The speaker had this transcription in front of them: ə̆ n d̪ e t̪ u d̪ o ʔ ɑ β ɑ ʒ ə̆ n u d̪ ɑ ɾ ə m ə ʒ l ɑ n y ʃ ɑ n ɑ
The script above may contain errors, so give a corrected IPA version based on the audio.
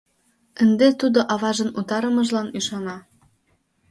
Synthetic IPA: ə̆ n d̪ e t̪ u d̪ o ʔ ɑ β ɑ ʒ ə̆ n u t̪ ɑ ɾ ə m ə ʒ l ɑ n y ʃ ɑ n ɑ